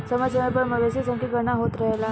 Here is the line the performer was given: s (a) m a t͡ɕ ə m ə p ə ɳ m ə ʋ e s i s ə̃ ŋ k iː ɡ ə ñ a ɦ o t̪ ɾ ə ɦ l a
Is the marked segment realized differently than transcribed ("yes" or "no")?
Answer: yes